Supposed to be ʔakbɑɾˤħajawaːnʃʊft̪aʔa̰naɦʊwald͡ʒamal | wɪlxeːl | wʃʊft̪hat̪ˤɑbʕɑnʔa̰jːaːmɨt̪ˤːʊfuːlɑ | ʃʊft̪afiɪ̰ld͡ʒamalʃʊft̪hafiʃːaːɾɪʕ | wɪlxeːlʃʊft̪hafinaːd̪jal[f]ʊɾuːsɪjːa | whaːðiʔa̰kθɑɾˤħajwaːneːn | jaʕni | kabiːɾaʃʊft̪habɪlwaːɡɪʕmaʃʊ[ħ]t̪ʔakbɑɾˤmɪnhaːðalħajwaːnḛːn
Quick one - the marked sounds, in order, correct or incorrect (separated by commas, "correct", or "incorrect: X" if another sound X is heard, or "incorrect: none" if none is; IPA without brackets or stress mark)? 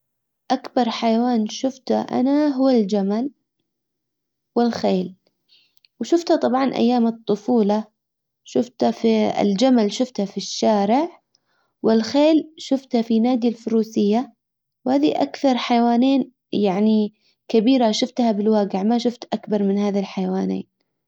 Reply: correct, incorrect: f